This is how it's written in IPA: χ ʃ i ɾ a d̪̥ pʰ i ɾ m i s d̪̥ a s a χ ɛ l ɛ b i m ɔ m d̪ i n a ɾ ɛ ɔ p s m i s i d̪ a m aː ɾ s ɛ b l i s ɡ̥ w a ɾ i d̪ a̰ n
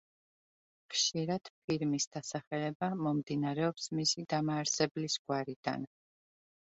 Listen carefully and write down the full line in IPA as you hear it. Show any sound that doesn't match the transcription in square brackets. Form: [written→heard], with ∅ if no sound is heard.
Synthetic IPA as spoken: χ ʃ i ɾ a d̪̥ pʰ i ɾ m i s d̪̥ a s a χ ɛ l ɛ b [i→a] m ɔ m d̪ i n a ɾ ɛ ɔ p s m i s i d̪ a m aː ɾ s ɛ b l i s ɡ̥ w a ɾ i d̪ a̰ n